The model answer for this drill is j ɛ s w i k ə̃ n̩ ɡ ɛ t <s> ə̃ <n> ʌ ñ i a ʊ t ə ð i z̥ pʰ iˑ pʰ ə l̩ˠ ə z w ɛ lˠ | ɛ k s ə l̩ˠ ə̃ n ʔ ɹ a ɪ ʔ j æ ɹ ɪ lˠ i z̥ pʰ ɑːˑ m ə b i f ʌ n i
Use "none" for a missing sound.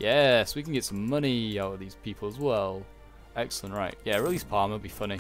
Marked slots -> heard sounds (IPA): s, m

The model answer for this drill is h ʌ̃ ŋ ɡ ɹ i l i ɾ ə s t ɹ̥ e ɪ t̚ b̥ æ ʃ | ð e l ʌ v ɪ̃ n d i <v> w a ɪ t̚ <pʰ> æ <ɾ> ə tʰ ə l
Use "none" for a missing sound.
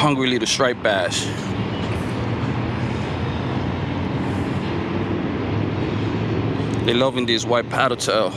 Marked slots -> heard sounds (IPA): z, pʰ, ɾ

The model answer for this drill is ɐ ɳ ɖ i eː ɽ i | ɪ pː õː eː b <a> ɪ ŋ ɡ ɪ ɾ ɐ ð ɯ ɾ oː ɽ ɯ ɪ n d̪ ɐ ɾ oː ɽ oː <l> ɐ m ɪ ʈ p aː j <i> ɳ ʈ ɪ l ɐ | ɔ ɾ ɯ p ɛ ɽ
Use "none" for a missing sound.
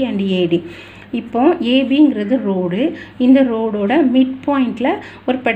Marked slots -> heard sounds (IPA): i, ɽ, ɪ

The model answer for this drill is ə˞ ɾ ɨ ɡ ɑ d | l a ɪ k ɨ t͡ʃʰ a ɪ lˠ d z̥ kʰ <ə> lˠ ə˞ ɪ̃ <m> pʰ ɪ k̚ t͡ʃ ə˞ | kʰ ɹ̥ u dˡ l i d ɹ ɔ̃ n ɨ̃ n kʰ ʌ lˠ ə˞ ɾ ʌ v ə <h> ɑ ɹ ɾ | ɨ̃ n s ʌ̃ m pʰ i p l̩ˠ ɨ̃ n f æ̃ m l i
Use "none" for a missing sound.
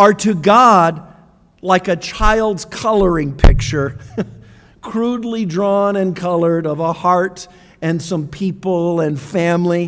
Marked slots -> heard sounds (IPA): ʌ, ŋ, h

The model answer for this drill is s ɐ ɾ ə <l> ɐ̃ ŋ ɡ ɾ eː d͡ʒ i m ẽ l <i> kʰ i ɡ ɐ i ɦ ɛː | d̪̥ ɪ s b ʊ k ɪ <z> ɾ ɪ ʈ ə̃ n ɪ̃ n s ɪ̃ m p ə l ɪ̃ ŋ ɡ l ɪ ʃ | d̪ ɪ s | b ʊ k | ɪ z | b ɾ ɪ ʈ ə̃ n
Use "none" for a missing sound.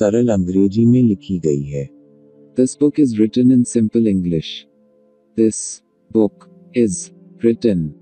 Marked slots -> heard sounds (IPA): l, ɪ, z

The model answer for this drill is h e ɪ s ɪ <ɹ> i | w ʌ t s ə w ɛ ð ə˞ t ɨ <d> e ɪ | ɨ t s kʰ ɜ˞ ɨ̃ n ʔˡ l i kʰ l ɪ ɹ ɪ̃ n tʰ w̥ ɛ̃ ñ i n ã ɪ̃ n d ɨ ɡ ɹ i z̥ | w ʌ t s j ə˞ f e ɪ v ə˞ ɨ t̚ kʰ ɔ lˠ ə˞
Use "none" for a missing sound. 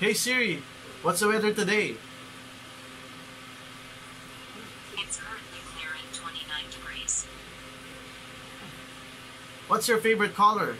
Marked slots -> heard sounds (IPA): ɹ, d

